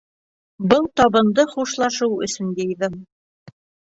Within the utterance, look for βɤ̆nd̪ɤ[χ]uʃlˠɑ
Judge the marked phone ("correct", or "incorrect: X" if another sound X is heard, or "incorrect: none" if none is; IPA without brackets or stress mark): correct